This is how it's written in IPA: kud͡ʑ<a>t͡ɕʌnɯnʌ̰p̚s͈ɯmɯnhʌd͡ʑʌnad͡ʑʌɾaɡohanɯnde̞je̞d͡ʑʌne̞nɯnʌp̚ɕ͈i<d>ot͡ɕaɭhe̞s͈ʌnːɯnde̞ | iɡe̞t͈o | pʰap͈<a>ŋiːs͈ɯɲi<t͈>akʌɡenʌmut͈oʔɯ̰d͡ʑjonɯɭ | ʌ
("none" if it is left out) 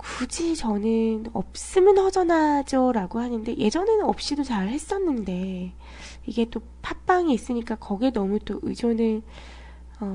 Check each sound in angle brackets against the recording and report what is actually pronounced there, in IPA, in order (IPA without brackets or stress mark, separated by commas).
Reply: i, d, a, k͈